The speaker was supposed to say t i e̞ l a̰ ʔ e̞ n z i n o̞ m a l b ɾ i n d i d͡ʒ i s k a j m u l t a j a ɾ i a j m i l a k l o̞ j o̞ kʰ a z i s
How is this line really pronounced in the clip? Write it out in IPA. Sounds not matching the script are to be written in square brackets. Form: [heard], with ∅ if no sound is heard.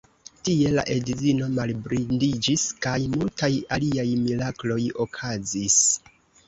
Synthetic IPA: t i e̞ l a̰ ʔ e̞ [d] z i n o̞ m a l b ɾ i n d i d͡ʒ i s k a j m u l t a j a [l] i a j m i l a k l o̞ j o̞ kʰ a z i s